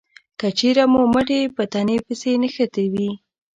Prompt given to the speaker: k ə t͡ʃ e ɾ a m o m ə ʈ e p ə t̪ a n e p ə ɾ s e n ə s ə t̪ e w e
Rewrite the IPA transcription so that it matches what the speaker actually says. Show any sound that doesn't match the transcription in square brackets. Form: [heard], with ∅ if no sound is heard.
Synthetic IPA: k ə t͡ʃ e ɾ a m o m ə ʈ e p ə t̪ a n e p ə [∅] s e n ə [x] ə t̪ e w [i]

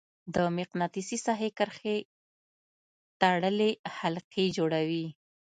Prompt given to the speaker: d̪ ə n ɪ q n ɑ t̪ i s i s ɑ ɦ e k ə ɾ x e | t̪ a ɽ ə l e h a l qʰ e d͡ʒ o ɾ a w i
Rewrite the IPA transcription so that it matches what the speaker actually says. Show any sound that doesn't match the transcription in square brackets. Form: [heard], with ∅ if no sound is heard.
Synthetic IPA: d̪ ə [m] ɪ q n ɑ t̪ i s i s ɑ ɦ e k ə ɾ x e | t̪ a ɽ ə l e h a l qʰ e d͡ʒ o [ɽ] a w i

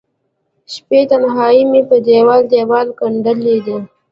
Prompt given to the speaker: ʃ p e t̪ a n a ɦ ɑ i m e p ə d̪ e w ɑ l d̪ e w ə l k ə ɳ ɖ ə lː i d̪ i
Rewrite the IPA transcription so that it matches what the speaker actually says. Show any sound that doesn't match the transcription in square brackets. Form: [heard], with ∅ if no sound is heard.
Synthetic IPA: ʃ p e t̪ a n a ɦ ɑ i m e p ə d̪ e w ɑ l d̪ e w [ɑ] l k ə ɳ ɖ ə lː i d̪ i

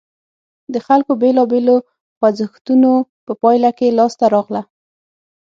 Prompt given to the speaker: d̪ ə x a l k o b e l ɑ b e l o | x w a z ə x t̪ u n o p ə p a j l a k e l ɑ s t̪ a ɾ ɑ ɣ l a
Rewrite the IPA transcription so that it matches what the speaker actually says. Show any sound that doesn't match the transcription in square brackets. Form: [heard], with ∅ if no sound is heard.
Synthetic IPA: d̪ ə x a l k o b e l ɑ b e l o | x w a z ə x t̪ u n o p ə p [ɑ] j l a k e l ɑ s t̪ a ɾ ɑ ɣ l a

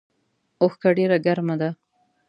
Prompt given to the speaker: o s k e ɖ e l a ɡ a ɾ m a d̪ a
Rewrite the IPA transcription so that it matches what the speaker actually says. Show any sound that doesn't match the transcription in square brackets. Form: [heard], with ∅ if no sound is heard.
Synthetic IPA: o [x] k [a] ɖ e [ɾ] a ɡ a ɾ m a d̪ a

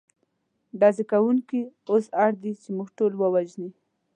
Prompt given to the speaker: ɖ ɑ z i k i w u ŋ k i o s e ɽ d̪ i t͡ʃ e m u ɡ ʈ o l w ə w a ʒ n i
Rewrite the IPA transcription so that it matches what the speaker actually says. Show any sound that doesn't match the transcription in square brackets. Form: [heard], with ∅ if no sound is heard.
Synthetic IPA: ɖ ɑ z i k [a] w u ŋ k i o s [a] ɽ d̪ i t͡ʃ e m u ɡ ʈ o l w ə w a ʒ n i

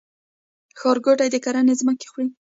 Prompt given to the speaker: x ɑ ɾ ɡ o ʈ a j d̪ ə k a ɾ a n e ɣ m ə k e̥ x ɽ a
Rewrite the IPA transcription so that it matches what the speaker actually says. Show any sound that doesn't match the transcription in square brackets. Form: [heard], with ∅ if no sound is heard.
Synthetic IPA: x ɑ ɾ ɡ o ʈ a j d̪ ə k a ɾ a n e [z] m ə k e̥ x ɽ [i]

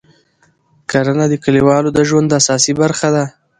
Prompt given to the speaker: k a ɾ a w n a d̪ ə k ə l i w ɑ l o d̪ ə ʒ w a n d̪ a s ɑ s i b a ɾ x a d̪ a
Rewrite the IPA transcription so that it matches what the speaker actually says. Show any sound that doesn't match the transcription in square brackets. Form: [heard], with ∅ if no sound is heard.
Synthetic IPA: k a ɾ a [∅] n a d̪ ə k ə l i w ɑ l o d̪ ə ʒ w a n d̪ a s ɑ s i b a ɾ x a d̪ a

